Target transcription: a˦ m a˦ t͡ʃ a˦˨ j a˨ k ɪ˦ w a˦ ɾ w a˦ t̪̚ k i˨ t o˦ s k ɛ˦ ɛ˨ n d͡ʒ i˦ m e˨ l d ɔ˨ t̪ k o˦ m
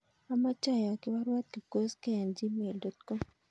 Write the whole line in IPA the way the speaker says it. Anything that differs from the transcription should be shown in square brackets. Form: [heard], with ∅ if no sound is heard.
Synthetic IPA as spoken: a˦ m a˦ t͡ʃ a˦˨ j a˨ k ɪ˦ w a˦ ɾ w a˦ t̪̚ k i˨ [k] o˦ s k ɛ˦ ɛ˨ n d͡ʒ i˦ m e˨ l d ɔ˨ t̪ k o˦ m